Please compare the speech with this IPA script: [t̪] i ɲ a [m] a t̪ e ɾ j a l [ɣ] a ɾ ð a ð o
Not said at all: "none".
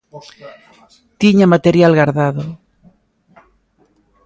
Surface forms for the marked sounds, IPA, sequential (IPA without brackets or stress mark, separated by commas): t̪, m, ɣ